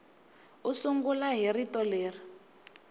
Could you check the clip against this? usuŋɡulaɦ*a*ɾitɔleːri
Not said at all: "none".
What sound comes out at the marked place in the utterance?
i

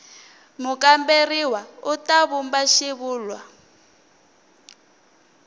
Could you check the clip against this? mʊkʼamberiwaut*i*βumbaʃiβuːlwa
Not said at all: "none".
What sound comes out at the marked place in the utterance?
a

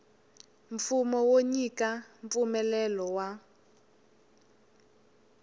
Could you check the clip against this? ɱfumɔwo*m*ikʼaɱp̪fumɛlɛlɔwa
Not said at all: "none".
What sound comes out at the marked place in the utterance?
ɲ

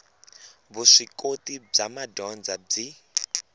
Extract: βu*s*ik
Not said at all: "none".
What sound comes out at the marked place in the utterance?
ʂ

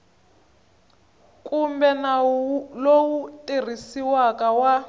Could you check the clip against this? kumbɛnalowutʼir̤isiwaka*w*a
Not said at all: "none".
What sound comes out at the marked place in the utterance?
w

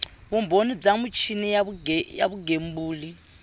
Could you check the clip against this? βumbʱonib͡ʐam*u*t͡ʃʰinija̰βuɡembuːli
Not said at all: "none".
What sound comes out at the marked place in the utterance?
u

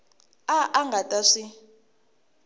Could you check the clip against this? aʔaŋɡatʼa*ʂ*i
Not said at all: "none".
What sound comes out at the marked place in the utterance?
ʂ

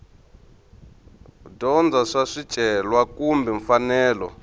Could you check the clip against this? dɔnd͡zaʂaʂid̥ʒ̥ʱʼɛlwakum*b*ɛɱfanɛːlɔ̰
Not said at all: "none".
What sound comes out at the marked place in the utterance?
b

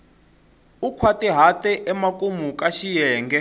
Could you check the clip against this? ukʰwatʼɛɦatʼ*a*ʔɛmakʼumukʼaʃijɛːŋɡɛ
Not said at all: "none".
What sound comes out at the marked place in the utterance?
ɛ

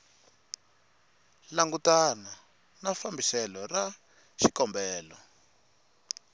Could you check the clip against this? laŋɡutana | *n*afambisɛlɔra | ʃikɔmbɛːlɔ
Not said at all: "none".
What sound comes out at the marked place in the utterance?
n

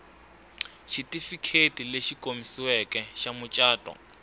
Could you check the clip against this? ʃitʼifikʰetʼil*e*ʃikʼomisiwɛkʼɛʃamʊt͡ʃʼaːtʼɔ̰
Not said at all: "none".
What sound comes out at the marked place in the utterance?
e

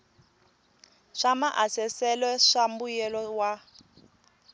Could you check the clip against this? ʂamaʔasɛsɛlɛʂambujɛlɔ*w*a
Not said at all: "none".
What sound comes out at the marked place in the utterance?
w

